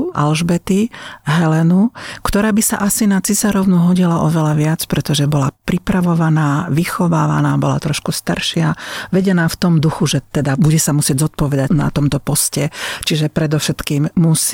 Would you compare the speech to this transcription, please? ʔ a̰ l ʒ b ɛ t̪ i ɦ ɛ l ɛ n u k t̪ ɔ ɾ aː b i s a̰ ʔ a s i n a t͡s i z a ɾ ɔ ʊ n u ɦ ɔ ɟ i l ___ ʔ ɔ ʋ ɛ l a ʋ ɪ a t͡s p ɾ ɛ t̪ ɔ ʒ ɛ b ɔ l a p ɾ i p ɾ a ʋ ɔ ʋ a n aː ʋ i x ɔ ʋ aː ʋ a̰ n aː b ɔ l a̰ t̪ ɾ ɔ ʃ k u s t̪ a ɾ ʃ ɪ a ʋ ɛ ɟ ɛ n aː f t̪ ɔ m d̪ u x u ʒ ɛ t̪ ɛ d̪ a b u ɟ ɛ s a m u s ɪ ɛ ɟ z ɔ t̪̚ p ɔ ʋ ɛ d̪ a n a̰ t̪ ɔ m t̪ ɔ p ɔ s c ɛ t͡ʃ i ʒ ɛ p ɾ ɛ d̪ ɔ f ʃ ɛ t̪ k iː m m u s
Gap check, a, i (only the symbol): a